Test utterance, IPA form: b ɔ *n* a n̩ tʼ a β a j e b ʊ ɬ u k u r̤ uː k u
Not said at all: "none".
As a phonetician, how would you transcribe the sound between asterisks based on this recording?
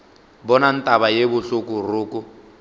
n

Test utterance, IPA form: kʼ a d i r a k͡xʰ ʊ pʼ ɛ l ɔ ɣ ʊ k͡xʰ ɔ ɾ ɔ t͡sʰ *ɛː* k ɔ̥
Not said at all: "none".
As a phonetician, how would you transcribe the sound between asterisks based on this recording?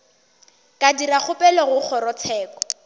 ɛː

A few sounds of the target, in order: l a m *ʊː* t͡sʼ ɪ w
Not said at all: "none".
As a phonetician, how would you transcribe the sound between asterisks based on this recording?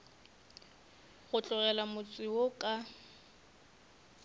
ʊ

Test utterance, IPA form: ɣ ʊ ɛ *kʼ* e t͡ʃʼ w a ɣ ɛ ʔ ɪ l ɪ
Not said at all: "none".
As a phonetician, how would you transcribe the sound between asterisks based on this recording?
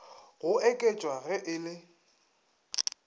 kʼ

